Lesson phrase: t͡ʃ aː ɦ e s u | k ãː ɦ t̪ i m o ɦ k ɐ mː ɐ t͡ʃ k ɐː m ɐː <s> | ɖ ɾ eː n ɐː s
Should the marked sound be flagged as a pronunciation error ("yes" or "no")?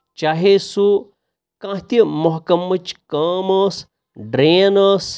no